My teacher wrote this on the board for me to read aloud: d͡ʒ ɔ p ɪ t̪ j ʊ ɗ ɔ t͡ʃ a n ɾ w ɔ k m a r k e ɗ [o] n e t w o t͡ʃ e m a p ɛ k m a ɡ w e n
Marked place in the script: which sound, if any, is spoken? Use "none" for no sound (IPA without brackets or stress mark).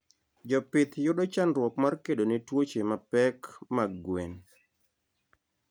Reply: o